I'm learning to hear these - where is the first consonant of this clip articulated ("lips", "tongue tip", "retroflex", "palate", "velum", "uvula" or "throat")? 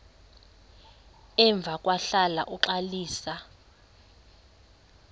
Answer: lips